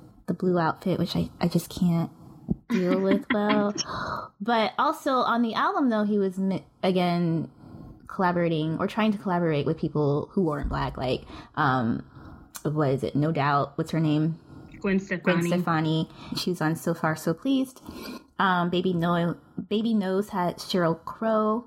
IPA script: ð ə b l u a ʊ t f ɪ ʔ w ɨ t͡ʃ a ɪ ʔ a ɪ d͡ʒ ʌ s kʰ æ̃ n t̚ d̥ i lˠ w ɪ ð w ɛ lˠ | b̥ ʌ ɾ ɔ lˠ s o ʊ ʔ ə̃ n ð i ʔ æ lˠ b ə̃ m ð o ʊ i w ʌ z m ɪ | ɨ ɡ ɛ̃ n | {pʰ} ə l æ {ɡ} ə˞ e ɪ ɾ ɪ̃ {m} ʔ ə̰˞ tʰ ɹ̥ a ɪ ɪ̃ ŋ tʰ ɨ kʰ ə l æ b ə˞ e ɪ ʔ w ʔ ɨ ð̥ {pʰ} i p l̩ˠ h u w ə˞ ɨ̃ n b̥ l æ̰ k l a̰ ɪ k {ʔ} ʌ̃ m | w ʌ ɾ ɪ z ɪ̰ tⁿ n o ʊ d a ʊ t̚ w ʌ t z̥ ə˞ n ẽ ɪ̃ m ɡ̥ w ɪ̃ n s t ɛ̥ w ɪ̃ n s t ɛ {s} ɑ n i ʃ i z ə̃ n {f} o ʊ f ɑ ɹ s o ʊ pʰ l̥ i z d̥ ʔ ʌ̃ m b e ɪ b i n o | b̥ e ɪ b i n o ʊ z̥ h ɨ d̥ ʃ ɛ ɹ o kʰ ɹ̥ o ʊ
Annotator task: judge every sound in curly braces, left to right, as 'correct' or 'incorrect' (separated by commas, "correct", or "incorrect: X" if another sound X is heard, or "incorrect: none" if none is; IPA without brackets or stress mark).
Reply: incorrect: kʰ, incorrect: b, incorrect: ŋ, correct, correct, incorrect: f, incorrect: s